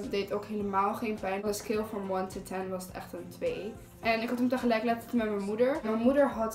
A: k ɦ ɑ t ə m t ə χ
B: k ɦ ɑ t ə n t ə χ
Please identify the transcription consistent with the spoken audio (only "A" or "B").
A